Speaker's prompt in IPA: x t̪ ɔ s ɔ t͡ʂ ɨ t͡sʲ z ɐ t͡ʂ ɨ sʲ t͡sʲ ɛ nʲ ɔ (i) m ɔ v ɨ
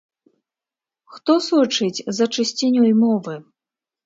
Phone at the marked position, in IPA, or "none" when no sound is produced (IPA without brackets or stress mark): j